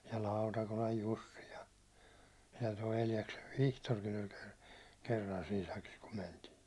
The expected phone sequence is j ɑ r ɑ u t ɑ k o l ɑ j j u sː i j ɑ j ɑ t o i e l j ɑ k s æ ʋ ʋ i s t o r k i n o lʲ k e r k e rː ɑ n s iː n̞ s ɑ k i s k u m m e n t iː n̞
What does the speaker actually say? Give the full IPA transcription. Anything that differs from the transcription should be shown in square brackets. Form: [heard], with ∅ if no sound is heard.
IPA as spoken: j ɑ [l] ɑ u t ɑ k o l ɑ j j u sː i j ɑ j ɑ t o i e l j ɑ k s [e] ʋ ʋ i [h] t o r k i n o lʲ k e r k e rː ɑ n s iː n̞ s ɑ k i s k u m m e n t iː n̞